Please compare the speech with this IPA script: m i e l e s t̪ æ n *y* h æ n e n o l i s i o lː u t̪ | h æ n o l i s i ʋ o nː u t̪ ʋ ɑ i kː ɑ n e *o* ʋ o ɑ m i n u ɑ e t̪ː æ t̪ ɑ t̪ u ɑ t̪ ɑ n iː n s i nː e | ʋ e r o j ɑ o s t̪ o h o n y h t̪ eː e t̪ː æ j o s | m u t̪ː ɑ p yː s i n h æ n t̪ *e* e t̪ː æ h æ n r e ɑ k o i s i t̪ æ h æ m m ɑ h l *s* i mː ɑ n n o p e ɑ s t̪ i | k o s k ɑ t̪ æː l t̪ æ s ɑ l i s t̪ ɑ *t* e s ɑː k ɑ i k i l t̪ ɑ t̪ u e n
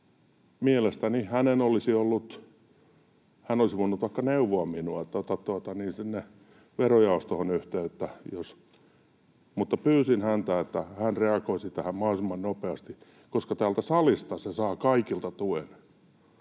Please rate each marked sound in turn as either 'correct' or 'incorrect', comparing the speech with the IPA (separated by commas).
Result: incorrect, incorrect, incorrect, correct, incorrect